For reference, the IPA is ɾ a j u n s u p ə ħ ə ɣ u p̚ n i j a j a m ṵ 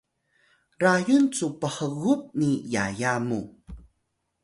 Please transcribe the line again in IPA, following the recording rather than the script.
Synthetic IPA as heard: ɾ a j u n t͡s u p ə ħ ə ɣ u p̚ n i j a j a m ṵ